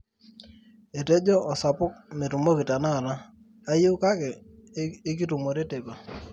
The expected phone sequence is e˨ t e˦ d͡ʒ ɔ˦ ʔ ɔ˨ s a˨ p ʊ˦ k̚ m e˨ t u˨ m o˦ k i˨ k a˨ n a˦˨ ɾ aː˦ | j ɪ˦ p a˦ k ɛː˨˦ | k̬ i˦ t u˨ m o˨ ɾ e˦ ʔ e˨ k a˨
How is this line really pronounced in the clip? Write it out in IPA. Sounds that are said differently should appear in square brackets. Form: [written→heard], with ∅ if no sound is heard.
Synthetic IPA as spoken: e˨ t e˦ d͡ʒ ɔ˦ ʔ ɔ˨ s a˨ p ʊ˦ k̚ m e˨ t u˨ m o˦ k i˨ [k→t] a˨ n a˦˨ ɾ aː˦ | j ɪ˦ [p→k] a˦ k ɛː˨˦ | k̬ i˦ t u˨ m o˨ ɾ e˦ [ʔ→t] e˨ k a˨